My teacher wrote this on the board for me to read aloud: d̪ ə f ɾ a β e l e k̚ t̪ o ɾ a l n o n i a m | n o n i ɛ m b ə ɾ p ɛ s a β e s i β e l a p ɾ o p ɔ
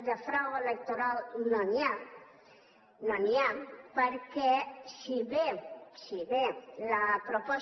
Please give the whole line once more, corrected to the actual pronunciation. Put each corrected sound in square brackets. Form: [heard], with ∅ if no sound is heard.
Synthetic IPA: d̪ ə f ɾ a [w] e l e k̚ t̪ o ɾ a l n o n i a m | n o n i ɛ m [p] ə ɾ [k] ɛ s [i] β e s i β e l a p ɾ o p ɔ